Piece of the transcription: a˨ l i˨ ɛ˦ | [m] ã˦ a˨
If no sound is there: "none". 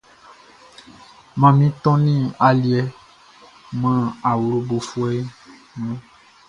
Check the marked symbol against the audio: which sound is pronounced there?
m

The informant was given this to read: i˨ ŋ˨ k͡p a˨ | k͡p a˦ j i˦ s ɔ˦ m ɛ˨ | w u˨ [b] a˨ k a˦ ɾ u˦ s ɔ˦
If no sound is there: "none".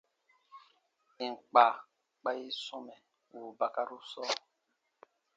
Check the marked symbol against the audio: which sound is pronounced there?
b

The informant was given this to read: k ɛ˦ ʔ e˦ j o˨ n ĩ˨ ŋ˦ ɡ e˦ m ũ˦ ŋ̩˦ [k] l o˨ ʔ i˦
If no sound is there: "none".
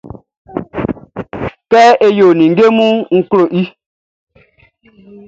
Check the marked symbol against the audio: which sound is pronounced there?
k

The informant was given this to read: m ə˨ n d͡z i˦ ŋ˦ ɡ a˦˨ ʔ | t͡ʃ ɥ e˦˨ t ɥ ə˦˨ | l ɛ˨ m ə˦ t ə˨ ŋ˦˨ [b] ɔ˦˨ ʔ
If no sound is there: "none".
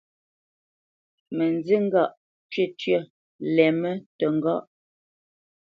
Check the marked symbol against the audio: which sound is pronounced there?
ɡ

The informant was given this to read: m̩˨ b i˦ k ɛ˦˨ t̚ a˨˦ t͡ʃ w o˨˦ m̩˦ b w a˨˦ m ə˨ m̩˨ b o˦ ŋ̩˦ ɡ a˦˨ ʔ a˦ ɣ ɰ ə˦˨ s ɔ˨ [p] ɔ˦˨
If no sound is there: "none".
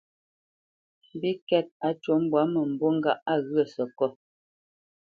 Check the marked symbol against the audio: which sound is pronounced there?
k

